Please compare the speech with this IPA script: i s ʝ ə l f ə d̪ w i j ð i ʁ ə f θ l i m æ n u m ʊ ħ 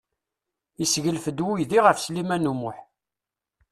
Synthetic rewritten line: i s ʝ ə l f ə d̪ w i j ð i ʁ ə f s l i m æ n u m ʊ ħ